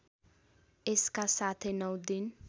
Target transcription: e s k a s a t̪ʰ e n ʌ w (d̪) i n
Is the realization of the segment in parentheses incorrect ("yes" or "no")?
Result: no